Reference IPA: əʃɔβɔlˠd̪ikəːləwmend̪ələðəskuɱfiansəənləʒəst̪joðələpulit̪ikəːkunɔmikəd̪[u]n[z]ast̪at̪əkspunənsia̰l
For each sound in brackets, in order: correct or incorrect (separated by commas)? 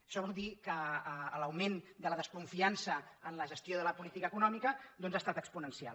incorrect, correct